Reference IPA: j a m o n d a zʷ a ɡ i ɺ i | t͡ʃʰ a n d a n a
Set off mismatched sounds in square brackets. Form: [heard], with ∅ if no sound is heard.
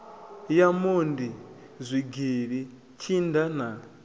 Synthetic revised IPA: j a m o n d [i] zʷ [i] ɡ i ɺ i | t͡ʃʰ [i] n d a n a